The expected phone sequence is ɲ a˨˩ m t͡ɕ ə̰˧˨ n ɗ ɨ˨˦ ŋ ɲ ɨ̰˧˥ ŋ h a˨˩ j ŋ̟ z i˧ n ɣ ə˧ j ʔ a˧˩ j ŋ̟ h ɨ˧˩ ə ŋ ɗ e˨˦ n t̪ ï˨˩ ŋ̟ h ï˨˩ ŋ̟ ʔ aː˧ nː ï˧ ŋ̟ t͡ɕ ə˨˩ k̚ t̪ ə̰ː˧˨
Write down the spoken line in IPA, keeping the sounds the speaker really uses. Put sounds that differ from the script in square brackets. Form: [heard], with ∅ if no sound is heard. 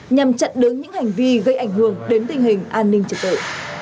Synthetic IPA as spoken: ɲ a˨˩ m t͡ɕ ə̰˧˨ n ɗ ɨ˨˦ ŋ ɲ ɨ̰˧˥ ŋ h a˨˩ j ŋ̟ [v] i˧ [∅] ɣ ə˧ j ʔ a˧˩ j ŋ̟ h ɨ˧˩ ə ŋ ɗ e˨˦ n t̪ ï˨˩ ŋ̟ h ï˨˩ ŋ̟ ʔ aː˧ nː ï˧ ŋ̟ t͡ɕ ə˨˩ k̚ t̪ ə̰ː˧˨